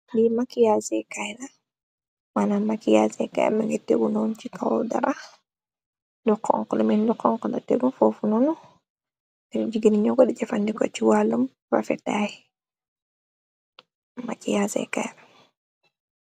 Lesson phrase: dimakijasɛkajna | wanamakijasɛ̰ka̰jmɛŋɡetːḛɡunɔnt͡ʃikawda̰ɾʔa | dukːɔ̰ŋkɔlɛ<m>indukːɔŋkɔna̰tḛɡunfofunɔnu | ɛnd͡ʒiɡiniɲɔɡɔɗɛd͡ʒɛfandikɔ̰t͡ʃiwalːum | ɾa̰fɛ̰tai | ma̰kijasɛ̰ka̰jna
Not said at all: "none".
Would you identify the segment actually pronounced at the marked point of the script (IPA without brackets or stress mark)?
m